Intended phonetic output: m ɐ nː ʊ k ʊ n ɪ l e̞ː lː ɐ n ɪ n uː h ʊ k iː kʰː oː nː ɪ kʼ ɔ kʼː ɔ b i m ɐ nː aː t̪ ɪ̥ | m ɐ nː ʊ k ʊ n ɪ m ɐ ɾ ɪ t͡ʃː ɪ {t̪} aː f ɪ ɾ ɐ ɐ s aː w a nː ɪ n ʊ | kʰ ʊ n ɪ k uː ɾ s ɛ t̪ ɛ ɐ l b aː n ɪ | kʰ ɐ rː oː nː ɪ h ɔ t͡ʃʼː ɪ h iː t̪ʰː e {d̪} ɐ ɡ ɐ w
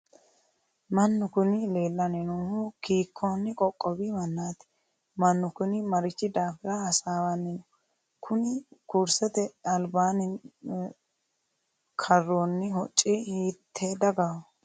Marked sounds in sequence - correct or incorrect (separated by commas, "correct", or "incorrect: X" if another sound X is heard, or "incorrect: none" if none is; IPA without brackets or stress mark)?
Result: incorrect: d̪, correct